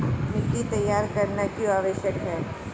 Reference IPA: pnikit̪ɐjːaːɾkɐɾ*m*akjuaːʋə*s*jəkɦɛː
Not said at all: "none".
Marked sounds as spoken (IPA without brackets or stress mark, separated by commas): n, ʃ